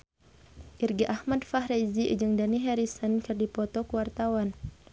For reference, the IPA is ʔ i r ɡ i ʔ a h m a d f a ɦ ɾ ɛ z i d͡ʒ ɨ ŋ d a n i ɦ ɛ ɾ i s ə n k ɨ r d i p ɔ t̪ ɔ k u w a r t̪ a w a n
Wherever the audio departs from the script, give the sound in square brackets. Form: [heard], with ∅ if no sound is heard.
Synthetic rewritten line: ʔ i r ɡ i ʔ a h m a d f a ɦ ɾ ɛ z i d͡ʒ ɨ ŋ d a n i ɦ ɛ ɾ i s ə n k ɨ r d i p ɔ t̪ ɔ k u w a r t̪ a w a n